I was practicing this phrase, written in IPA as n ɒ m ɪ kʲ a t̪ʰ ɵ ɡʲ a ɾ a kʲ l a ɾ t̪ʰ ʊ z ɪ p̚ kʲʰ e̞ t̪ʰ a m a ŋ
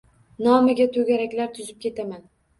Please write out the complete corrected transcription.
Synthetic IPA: n ɒ m ɪ ɡʲ a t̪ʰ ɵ ɡʲ a ɾ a kʲ l a ɾ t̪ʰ ʊ z ɪ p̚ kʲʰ e̞ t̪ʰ a m a n